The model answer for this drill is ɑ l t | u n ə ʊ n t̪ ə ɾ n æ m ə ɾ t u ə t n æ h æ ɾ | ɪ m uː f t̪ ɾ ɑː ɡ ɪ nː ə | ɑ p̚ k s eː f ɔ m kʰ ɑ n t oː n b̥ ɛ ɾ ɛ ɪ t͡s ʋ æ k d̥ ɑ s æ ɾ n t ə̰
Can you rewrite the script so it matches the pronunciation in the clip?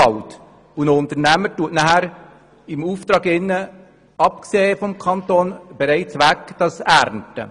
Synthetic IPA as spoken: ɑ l t | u n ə ʊ n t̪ ə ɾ n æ m ə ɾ t u ə t n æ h æ ɾ | ɪ m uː f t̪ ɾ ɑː ɡ ɪ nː ə | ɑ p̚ k s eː f ɔ m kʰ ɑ n t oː n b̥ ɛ ɾ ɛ ɪ t͡s ʋ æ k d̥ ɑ s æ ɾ n t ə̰